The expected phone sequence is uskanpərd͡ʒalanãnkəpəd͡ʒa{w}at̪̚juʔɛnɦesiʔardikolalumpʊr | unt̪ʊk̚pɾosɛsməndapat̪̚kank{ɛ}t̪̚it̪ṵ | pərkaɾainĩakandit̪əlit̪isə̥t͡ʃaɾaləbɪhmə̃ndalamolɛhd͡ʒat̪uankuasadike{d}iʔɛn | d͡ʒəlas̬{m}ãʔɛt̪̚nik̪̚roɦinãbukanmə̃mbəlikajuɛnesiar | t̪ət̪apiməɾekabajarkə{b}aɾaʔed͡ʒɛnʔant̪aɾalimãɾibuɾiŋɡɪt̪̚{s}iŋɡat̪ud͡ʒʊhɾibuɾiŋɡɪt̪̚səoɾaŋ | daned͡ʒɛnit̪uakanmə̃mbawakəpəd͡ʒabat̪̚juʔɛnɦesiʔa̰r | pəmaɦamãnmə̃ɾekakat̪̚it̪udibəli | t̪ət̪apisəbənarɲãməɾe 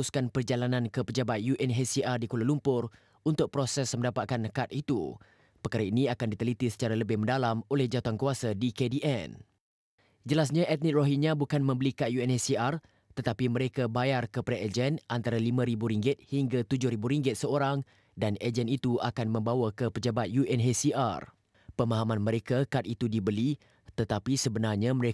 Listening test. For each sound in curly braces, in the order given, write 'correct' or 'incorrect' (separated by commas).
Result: incorrect, incorrect, correct, incorrect, incorrect, incorrect